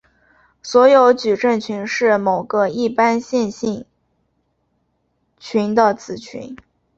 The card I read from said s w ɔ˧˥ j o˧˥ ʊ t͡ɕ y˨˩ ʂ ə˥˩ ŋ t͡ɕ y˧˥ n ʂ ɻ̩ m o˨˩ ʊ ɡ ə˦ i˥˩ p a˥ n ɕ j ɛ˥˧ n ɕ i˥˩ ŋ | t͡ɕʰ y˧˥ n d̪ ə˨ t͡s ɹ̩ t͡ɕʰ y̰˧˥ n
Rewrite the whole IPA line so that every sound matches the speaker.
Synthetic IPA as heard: s w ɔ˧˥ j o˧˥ ʊ t͡ɕ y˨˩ ʈ͡ʂ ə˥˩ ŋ t͡ɕʰ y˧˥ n ʂ ɻ̩ m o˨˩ ʊ ɡ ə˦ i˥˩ p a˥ n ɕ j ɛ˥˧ n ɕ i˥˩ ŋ | t͡ɕʰ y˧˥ n d̪ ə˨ t͡s ɹ̩ t͡ɕʰ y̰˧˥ n